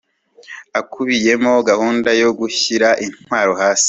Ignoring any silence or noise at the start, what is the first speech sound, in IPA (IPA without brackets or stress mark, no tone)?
a